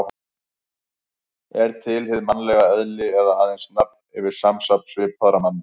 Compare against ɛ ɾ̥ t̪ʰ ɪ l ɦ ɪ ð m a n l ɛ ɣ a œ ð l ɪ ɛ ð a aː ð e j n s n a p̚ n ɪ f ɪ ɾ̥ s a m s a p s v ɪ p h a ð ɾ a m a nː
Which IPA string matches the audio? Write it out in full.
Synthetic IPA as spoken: ɛ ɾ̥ t̪ʰ ɪ l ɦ ɪ ð m a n l ɛ ɣ a œ ð l ɪ ɛ ð a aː ð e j n s n a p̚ n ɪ v ɪ ɾ̥ s a m s a p s v ɪ p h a ð ɾ a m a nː